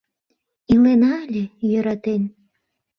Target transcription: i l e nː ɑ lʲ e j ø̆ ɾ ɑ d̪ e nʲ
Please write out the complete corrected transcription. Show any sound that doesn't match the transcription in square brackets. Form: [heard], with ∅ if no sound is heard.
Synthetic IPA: i l e [n] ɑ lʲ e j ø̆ ɾ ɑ [t̪] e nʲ